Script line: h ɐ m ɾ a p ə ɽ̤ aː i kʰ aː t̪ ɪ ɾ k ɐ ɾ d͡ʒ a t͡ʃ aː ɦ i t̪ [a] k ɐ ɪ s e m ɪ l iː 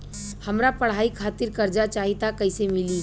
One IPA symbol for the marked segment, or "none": a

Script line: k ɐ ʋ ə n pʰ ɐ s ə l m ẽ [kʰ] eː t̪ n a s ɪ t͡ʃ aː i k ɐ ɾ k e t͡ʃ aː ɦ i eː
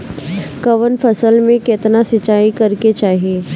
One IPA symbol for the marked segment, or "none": k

